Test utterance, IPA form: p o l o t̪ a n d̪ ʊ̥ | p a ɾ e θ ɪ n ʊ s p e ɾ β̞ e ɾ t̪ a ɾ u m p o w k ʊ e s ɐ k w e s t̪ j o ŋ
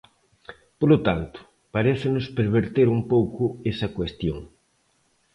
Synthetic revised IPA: p o l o t̪ a n t̪ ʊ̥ | p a ɾ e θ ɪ n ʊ s p e ɾ β̞ e ɾ t̪ e ɾ u m p o w k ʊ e s ɐ k w e s t̪ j o ŋ

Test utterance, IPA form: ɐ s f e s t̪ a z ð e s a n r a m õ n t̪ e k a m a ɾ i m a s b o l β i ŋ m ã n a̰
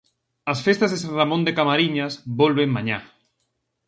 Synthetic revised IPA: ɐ s f e s t̪ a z ð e s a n r a m õ n d̪ e k a m a ɾ i ɲ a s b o l β e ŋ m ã ɲ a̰

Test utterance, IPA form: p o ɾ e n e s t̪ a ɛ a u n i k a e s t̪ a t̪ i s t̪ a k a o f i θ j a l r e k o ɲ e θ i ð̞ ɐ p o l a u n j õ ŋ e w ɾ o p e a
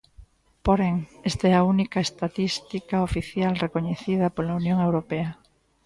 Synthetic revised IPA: p o ɾ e ŋ e s t̪ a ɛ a u n i k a e s t̪ a t̪ i s t̪ i k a o f i θ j a l r e k o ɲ e θ i ð̞ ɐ p o l a u n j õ ŋ e w ɾ o p e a

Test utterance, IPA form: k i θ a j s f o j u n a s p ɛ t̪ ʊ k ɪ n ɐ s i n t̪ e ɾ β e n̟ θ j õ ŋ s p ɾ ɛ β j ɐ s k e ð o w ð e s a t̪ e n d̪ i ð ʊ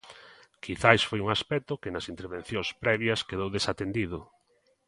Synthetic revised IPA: k i θ a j s f o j u ŋ a s p ɛ t̪ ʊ k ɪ n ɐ s i n t̪ e ɾ β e n̟ θ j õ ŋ s p ɾ ɛ β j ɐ s k e ð o w ð e s a t̪ e n d̪ i ð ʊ

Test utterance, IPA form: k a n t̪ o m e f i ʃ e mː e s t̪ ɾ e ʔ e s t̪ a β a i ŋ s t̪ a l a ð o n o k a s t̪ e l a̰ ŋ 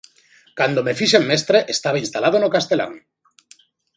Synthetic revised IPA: k a n d̪ o m e f i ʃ e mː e s t̪ ɾ e ʔ e s t̪ a β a i n s t̪ a l a ð o n o k a s t̪ e l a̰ ŋ

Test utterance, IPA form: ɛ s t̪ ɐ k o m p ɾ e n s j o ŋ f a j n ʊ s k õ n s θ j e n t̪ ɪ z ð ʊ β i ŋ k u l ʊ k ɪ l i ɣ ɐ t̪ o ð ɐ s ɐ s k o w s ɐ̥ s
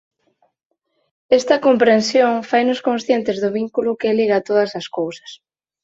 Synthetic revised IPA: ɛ s t̪ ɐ k o m p ɾ e n s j o ŋ f a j n ʊ s k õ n s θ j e n t̪ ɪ z ð ʊ β i ŋ k u l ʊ k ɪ l i ɣ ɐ t̪ o ð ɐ s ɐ s k o w s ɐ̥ s

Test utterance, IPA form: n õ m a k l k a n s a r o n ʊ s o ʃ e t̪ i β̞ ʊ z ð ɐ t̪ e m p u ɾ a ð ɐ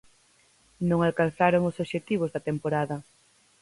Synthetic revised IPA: n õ ŋ a l k a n θ a ɾ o ŋ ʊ s o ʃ e t̪ i β̞ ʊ z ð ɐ t̪ e m p o ɾ a ð ɐ

